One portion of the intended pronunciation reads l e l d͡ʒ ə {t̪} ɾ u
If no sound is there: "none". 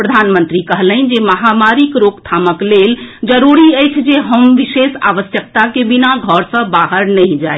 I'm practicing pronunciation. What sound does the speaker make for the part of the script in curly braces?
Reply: none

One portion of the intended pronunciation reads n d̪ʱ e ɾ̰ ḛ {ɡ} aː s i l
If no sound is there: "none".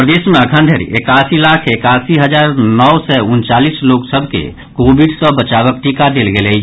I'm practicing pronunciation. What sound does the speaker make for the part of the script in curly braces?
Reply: k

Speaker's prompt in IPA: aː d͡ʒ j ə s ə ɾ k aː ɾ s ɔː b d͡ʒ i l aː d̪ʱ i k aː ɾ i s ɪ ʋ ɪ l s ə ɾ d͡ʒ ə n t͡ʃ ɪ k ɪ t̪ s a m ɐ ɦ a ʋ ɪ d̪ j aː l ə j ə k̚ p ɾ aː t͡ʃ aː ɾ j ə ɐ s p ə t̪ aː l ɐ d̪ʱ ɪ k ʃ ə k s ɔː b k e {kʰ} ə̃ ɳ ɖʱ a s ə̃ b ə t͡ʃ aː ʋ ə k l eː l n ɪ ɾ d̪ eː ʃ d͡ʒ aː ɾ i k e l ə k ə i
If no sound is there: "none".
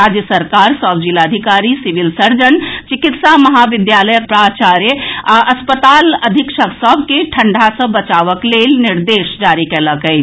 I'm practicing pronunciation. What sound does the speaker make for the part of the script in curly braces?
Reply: ʈʰ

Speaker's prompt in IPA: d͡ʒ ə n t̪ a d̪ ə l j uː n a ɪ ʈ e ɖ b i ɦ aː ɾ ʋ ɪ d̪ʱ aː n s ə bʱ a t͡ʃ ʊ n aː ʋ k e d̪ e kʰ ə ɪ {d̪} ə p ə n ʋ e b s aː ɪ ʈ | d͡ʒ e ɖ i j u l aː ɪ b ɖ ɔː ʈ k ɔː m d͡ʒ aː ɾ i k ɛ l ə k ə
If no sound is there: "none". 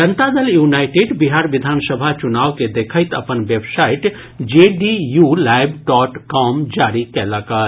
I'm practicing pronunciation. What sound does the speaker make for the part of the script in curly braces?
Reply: t̪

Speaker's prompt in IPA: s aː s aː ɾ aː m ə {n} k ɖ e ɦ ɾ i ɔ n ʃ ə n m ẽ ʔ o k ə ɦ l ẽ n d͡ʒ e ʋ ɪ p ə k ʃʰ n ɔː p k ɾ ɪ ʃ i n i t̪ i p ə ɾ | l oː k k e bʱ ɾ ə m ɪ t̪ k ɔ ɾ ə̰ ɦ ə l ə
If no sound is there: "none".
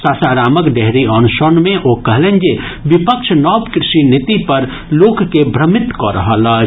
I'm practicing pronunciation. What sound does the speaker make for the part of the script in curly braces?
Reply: none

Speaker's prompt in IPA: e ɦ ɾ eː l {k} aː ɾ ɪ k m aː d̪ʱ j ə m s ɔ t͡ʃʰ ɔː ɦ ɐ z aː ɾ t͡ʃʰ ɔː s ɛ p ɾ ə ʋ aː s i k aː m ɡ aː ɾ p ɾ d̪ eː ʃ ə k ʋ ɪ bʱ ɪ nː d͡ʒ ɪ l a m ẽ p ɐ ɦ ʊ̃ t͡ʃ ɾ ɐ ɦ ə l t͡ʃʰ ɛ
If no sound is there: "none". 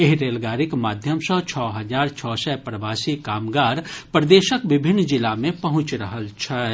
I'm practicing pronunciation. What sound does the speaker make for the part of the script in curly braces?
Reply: ɡ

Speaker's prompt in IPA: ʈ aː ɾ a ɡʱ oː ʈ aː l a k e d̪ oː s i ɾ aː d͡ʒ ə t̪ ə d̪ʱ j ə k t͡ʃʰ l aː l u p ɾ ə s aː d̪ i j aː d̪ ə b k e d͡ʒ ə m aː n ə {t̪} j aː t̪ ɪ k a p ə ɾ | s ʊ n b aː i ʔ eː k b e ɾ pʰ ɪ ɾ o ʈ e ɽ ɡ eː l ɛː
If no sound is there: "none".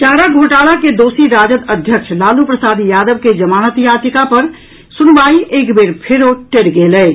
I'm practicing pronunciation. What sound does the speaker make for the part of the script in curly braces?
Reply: t̪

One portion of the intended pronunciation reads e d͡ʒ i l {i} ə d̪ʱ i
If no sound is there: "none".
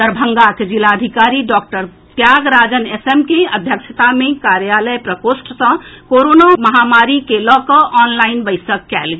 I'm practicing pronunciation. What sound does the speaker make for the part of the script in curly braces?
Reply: a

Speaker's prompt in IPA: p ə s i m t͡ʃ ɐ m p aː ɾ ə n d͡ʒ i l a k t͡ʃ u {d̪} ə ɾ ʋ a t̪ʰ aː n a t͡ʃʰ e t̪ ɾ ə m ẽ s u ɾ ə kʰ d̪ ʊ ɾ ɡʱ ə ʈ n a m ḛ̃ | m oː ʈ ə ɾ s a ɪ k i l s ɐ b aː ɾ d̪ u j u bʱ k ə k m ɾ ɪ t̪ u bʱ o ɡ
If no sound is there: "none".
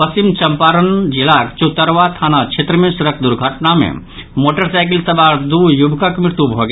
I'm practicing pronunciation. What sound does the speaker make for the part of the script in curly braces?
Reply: t̪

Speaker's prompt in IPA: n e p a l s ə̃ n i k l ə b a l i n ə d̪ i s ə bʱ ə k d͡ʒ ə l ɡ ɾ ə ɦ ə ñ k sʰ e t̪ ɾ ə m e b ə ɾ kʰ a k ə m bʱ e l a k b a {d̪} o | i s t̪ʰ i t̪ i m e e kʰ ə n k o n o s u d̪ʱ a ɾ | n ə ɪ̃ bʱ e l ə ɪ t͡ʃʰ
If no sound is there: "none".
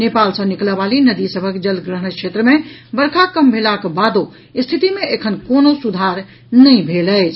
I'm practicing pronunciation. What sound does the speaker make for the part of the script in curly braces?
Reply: d̪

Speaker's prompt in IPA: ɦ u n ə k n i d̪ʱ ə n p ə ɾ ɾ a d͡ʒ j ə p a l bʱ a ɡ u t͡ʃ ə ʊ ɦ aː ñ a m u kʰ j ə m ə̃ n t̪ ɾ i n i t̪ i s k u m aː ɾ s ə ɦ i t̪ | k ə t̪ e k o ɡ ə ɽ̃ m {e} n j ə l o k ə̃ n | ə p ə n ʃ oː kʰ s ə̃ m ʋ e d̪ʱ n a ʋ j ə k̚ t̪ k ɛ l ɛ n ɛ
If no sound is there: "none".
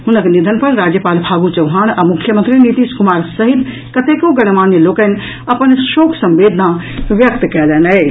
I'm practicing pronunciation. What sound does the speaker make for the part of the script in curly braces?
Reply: a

